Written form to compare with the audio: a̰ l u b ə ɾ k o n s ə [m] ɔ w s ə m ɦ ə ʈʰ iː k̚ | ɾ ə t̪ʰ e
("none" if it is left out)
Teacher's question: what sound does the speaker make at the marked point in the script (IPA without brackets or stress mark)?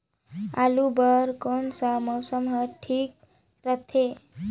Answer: m